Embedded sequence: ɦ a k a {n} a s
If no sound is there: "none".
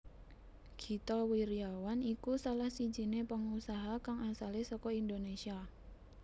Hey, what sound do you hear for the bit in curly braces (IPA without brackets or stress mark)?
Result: ŋ